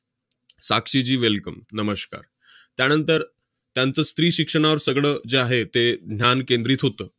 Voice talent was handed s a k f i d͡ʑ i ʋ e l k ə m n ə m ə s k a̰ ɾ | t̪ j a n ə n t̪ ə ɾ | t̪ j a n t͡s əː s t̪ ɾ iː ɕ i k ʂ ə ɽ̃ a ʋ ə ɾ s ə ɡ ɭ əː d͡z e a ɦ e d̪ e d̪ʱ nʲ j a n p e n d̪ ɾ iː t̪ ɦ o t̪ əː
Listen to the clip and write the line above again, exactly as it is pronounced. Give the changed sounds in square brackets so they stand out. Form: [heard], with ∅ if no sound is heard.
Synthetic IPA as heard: s a k [ʂ] i d͡ʑ [iː] ʋ e l k ə m n ə m ə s k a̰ ɾ | t̪ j a n ə n t̪ ə ɾ | t̪ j a n t͡s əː s t̪ ɾ iː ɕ i k ʂ ə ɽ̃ a ʋ ə ɾ s ə ɡ ɭ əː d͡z e a ɦ e [t̪] e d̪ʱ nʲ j a n [k] e n d̪ ɾ iː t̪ ɦ o t̪ əː

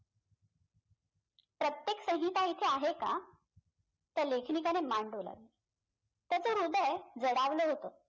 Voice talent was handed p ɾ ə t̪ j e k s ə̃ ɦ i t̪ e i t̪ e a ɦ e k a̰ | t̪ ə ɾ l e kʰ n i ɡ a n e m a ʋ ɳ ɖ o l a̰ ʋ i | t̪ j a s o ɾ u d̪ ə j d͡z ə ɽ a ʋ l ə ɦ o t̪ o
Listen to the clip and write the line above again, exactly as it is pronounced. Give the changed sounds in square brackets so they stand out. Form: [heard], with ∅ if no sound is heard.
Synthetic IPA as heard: p ɾ ə t̪ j e k s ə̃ ɦ i t̪ [a] i [t̪ʰ] e a ɦ e k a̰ | t̪ ə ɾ l e kʰ n i [k] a n e m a [∅] ɳ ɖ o l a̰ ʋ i | t̪ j a [t͡s] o ɾ u d̪ ə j d͡z ə ɽ a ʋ l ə ɦ o t̪ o

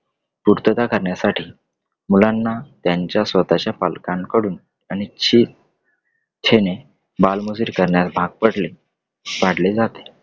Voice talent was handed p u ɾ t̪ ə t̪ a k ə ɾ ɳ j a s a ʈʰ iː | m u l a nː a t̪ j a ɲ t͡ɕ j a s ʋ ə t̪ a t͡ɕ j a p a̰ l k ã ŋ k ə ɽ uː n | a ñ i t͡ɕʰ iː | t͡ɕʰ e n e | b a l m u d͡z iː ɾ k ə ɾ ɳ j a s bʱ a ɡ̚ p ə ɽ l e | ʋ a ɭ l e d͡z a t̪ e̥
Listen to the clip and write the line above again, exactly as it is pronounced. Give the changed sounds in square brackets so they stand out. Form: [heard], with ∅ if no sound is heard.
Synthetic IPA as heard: p u ɾ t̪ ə t̪ a k ə ɾ ɳ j a s a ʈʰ iː | m u l a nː a t̪ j a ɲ t͡ɕ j a s ʋ ə t̪ a t͡ɕ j a p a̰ l k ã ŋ k ə ɽ uː n | a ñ i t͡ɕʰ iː | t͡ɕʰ e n e | b a l m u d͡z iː ɾ k ə ɾ ɳ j a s bʱ a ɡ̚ p ə ɽ l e | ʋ a [ɽ] l e d͡z a t̪ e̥

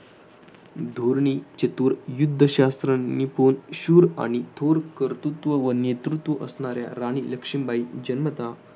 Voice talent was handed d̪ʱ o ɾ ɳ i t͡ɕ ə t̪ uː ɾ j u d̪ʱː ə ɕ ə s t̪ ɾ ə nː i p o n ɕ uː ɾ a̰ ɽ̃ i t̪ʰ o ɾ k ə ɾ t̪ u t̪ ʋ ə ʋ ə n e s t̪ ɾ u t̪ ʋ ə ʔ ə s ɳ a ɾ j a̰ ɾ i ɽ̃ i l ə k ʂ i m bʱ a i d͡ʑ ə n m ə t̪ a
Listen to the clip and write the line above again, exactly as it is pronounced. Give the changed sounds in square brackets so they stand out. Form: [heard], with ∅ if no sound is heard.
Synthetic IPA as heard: d̪ʱ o ɾ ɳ i t͡ɕ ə t̪ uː ɾ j u d̪ʱː ə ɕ [a] s t̪ ɾ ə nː i p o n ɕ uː ɾ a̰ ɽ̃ i t̪ʰ o ɾ k ə ɾ t̪ u t̪ ʋ ə ʋ ə n e [∅] t̪ ɾ u t̪ ʋ ə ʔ ə s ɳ a ɾ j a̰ ɾ [a] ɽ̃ i l ə k ʂ i m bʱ a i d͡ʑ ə n m ə t̪ a

